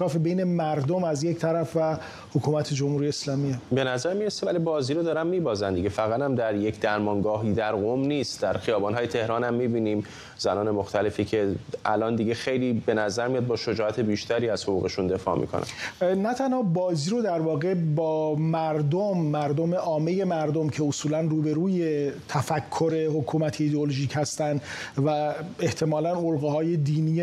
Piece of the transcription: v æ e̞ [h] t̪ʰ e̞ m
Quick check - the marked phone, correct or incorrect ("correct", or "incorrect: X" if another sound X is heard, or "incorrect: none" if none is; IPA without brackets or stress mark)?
correct